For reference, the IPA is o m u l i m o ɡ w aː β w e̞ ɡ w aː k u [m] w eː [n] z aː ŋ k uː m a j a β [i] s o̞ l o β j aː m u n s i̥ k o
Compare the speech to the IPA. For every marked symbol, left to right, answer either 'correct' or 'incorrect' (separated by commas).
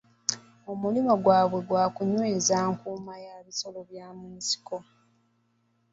incorrect, incorrect, correct